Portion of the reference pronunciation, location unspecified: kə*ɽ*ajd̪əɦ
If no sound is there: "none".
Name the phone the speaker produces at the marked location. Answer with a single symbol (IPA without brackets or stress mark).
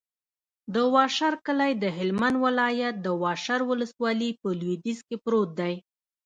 l